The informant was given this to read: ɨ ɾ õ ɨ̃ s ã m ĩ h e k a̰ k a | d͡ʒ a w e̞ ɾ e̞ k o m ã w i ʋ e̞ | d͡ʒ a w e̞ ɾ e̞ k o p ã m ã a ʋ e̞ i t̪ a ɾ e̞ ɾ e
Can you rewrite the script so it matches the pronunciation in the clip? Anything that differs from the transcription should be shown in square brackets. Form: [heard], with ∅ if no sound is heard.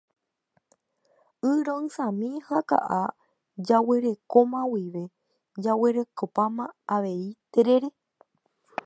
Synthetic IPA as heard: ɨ ɾ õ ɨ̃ s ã m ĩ h [a] k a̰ [ʔ] a | d͡ʒ a w e̞ ɾ e̞ k o m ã w i ʋ e̞ | d͡ʒ a w e̞ ɾ e̞ k o p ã m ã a ʋ e̞ i t̪ [e] ɾ e̞ ɾ e